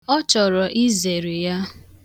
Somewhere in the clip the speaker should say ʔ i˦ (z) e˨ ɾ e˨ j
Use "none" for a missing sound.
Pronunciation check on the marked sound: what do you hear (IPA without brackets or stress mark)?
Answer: z